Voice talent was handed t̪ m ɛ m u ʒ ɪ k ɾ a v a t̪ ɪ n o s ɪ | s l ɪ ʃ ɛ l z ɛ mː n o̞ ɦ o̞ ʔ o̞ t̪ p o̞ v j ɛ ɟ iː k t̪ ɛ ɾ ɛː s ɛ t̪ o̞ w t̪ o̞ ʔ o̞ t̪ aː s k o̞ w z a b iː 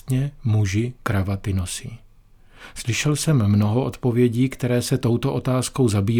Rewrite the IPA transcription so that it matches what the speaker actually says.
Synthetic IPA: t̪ ɲ ɛ m u ʒ ɪ k ɾ a v a t̪ ɪ n o s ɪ | s l ɪ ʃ ɛ l s ɛ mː n o̞ ɦ o̞ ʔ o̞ t̪ p o̞ v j ɛ ɟ iː k t̪ ɛ ɾ ɛː s ɛ t̪ o̞ w t̪ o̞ ʔ o̞ t̪ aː s k o̞ w z a b iː